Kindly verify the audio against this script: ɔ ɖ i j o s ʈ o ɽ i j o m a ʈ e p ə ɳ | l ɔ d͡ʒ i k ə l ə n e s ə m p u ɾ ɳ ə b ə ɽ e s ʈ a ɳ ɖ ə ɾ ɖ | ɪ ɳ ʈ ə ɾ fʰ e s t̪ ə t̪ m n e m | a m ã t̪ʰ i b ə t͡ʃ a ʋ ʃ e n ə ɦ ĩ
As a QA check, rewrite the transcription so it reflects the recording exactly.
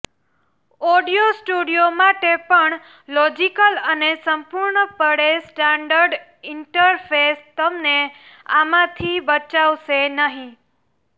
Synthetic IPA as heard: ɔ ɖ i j o s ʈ u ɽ i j o m a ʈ e p ə ɳ | l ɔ d͡ʒ i k ə l ə n e s ə m p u ɾ ɳ ə p ə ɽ e s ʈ a ɳ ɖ ə ɾ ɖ | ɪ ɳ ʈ ə ɾ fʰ e s t̪ ə m n e | a m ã t̪ʰ i b ə t͡ʃ a ʋ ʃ e n ə ɦ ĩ